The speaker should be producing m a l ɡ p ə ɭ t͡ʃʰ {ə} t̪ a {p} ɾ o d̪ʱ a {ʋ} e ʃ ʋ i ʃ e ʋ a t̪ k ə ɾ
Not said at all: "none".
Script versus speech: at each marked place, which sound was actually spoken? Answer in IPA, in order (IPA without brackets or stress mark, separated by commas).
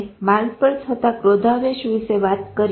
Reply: ə, k, ʋ